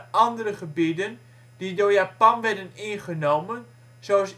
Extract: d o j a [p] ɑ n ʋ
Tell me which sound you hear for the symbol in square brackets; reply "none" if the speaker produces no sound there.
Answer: p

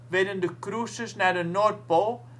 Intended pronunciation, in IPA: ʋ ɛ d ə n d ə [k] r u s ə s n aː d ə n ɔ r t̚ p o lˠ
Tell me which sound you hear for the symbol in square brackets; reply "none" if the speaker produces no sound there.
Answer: k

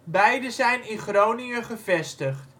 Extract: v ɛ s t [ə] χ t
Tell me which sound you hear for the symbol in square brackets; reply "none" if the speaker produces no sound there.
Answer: ə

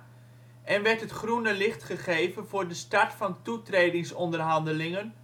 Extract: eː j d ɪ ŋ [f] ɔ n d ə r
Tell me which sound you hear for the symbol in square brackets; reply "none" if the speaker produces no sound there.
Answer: s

